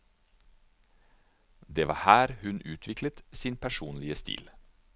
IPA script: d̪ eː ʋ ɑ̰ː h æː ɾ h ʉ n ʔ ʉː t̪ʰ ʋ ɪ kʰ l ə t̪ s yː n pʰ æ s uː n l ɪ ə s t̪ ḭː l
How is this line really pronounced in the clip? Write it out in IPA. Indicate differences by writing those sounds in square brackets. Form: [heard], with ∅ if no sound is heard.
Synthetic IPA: d̪ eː ʋ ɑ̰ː h æː ɾ h ʉ n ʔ ʉː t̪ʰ ʋ ɪ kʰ l ə t̪ s [iː] n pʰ æ [ʃ] uː n l ɪ ə s t̪ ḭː l

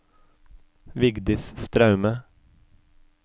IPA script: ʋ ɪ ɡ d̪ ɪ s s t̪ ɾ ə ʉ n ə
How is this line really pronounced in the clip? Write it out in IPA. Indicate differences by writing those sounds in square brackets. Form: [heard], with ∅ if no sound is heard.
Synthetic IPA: ʋ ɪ ɡ d̪ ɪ s s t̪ ɾ [ɑ] ʉ [m] ə

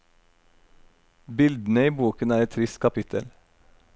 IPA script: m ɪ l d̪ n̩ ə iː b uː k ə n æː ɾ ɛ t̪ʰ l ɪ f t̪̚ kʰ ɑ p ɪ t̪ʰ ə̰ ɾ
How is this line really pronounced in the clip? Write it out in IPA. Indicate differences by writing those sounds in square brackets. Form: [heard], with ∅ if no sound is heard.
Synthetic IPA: [b] ɪ l d̪ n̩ ə iː b uː k ə n æː ɾ ɛ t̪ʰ [ɾ] ɪ [s] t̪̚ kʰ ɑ p ɪ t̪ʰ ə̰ [l]

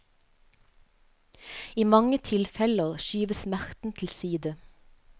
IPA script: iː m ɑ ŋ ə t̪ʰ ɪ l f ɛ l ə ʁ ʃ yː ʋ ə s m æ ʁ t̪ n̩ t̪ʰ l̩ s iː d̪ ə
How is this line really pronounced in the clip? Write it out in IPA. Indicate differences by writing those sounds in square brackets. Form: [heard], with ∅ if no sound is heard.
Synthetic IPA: iː m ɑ ŋ ə t̪ʰ ɪ l f ɛ l ə ʁ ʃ yː ʋ ə s m æ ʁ t̪ n̩ t̪ʰ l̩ s iː d̪ ə

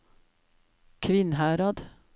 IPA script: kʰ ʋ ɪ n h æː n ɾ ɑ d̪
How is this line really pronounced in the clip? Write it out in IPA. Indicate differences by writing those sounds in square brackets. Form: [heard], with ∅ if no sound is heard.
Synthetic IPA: kʰ ʋ ɪ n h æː [∅] ɾ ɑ d̪

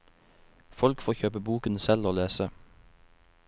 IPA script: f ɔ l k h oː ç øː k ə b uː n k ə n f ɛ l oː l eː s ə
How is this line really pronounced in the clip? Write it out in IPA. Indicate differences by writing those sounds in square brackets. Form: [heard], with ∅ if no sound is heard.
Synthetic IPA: f ɔ l k [f] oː ç øː [p] ə b uː [∅] k ə n [s] ɛ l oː l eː s ə

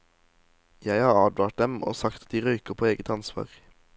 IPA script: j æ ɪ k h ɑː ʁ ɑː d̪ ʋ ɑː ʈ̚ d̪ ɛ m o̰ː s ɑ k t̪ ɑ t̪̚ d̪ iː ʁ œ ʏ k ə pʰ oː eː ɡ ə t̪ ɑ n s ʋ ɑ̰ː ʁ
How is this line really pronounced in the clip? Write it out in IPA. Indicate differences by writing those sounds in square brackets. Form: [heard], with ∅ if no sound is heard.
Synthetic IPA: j æ ɪ [∅] h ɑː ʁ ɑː d̪ ʋ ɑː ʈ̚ d̪ ɛ m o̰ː s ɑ k t̪ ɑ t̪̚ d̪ iː ʁ œ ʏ k ə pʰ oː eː ɡ ə t̪ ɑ n s ʋ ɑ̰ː ʁ

